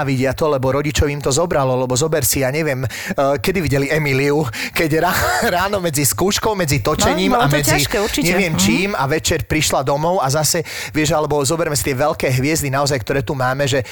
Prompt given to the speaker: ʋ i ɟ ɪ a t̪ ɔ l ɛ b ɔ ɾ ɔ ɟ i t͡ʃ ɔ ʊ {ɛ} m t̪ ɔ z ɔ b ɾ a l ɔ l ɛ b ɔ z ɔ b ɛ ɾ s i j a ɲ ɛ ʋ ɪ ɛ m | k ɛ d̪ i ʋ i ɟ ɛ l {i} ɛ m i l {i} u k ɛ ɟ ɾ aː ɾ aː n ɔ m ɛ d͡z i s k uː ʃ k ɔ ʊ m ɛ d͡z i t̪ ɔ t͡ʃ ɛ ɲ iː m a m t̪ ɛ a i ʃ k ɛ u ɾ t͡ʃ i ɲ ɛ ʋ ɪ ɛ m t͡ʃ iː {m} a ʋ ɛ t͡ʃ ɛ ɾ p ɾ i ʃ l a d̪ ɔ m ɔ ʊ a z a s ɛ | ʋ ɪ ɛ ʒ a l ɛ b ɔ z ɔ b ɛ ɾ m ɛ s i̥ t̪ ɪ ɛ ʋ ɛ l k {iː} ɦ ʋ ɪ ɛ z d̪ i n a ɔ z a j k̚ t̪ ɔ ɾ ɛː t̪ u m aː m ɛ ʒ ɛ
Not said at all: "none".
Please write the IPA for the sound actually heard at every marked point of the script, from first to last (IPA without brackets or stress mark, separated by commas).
i, i, i, m, ɛː